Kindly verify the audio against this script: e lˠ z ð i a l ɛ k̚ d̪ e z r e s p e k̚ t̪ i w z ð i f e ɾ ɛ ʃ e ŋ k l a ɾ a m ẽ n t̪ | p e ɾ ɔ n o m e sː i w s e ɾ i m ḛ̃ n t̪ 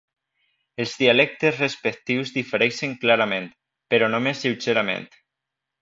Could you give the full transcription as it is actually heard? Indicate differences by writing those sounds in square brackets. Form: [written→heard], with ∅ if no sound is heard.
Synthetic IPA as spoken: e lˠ z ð i a l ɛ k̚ [d̪→t̪] e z r e s p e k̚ t̪ i w z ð i f e ɾ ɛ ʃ e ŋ k l a ɾ a m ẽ n t̪ | p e ɾ ɔ n o m e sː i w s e ɾ [i→a] m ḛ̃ n t̪

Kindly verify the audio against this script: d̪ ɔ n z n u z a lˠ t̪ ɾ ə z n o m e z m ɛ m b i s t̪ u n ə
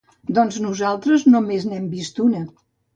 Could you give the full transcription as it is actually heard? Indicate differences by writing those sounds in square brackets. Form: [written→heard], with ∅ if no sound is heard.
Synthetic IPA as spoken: d̪ ɔ n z n u z a lˠ t̪ ɾ ə z n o m e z [m→n] ɛ m b i s t̪ u n ə

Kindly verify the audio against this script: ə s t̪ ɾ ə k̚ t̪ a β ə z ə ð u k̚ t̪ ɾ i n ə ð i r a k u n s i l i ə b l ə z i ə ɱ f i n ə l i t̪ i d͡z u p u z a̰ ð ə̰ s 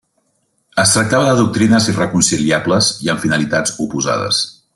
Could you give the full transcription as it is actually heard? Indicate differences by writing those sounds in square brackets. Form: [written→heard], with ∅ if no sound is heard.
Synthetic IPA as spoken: ə s t̪ ɾ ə k̚ t̪ a β ə [z→ð] ə ð u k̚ t̪ ɾ i n ə [ð→z] i r [a→ə] k u n s i l i [ə→a] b l ə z i ə ɱ f i n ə l i t̪ [i→a] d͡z u p u z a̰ ð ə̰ s

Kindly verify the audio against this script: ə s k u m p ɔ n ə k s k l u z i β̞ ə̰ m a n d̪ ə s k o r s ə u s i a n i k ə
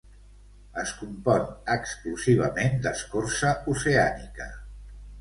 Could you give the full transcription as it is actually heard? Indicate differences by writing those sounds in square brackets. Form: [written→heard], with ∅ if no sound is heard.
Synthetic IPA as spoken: ə s k u m p ɔ n ə k s k l u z i β̞ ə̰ m [a→e] n d̪ ə s k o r s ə u s [i→e] a n i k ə

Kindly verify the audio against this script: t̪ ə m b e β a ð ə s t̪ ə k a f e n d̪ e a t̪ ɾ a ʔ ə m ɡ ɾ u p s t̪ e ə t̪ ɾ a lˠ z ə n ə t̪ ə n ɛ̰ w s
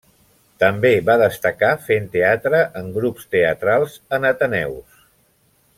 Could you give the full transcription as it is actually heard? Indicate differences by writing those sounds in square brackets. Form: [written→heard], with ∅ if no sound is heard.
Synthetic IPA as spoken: t̪ ə m b e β a ð ə s t̪ ə k a f e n [d̪→t̪] e a t̪ ɾ [a→ə] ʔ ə [m→ŋ] ɡ ɾ u p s t̪ e ə t̪ ɾ a lˠ z ə n ə t̪ ə n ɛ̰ w s

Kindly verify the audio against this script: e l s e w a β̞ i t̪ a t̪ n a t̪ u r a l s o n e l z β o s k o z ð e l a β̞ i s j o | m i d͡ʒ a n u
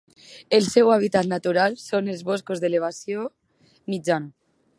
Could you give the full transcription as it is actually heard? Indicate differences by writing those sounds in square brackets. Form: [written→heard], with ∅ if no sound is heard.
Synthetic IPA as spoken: e l s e w a β̞ i t̪ a t̪ n a t̪ u [r→ɾ] a l s o n e l z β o s k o z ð e l [a→e] β̞ [i→a] s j o | m i d͡ʒ a n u

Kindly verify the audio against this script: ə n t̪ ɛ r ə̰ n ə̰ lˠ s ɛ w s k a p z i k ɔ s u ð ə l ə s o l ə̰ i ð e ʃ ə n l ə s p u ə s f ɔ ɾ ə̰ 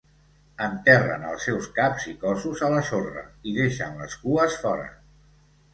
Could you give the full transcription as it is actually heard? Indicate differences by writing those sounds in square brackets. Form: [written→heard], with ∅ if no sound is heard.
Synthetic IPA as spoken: ə n t̪ ɛ r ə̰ n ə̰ lˠ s ɛ w s k a p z i k ɔ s u [ð→z] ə l ə s o [l→r] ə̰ i ð e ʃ ə n l ə s [p→k] u ə s f ɔ ɾ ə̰

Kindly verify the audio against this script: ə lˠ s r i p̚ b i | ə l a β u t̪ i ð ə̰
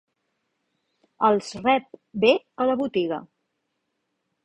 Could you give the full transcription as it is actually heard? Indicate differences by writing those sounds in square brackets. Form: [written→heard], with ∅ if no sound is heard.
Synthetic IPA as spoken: ə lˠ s r [i→ɛ] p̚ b [i→e] | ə l [a→ə] β u t̪ i [ð→ɣ] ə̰

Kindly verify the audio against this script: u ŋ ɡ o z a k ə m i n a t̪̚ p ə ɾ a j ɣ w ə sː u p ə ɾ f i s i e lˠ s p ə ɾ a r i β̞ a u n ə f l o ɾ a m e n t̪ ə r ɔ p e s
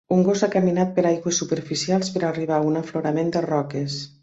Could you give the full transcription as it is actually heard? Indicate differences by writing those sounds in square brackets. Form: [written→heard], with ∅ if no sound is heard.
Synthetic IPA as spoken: u ŋ ɡ o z a k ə m i n a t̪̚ p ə ɾ a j ɣ w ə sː u p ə ɾ f i s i [e→a] lˠ s p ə ɾ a r i β̞ a u n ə f l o ɾ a m e n [t̪→d̪] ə r ɔ [p→k] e s

